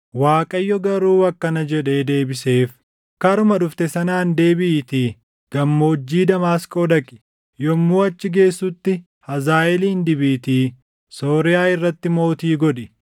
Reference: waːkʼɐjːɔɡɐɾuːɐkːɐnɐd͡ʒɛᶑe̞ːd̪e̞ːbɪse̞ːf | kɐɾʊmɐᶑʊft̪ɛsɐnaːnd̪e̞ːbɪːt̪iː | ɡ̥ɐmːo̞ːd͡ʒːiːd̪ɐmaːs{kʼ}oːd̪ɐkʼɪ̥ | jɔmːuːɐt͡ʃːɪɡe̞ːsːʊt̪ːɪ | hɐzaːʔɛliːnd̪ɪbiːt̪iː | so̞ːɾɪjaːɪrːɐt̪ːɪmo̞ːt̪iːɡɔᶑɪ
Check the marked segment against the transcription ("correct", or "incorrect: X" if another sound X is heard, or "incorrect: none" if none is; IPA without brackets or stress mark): correct